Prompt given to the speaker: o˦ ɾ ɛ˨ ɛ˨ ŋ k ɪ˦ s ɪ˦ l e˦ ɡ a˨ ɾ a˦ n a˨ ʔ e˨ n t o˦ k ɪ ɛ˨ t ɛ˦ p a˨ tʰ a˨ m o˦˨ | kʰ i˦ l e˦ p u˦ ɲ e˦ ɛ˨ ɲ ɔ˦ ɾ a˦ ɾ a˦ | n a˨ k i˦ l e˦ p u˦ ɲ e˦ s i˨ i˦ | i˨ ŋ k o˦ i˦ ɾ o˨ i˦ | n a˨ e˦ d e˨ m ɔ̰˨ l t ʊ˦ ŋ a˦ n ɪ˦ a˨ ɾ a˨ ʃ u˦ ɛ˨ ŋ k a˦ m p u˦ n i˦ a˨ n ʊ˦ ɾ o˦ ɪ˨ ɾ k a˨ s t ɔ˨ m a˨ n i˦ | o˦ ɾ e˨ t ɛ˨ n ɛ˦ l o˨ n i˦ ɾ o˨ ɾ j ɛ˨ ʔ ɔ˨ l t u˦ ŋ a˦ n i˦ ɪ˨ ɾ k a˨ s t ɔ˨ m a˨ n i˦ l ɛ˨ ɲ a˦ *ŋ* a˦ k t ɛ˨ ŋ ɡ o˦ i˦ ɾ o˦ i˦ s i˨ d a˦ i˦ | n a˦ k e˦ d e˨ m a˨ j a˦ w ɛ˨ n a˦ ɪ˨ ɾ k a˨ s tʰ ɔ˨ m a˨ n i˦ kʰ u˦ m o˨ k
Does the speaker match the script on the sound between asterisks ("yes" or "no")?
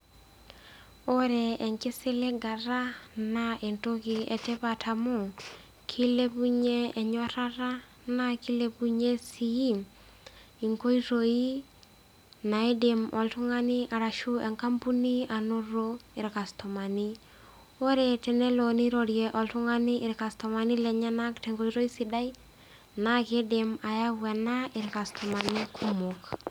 no